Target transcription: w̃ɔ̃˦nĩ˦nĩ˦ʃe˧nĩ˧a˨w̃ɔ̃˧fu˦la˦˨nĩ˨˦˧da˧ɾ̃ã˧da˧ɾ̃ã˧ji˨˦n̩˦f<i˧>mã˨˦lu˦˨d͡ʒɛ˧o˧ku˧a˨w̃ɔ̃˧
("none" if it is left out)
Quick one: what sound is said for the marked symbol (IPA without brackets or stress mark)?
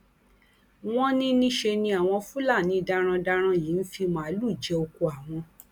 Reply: i˧